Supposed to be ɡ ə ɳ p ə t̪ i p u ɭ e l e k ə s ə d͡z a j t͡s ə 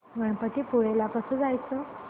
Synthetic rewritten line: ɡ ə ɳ p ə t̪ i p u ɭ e l a k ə s ə d͡z a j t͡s ə